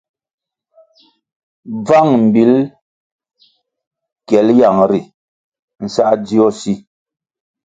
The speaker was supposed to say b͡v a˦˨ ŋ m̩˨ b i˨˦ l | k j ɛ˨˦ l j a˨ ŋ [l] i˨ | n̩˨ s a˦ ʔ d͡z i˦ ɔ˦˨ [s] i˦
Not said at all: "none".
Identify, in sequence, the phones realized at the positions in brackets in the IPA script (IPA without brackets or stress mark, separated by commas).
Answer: ɾ, s